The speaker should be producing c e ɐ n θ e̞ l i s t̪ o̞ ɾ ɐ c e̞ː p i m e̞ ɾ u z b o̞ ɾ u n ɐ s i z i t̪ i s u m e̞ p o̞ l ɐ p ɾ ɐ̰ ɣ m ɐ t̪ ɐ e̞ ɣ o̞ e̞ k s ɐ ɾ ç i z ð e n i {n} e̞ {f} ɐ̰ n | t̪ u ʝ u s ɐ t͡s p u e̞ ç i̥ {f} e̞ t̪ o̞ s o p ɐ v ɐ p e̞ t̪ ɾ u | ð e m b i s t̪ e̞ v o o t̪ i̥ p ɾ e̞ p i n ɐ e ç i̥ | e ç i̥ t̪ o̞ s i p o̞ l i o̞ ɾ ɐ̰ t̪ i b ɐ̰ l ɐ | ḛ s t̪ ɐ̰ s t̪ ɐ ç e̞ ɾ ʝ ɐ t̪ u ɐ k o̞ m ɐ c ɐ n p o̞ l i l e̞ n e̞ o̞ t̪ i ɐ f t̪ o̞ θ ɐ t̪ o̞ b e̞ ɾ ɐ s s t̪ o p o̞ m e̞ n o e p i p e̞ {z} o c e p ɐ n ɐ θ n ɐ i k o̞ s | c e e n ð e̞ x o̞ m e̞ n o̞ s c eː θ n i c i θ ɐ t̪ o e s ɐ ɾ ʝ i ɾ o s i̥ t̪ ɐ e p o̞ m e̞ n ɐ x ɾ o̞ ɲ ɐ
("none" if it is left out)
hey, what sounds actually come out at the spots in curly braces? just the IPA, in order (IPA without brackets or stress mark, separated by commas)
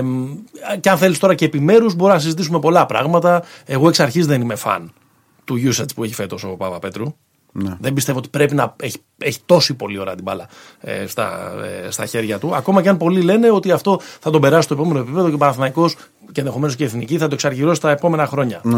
m, f, f, ð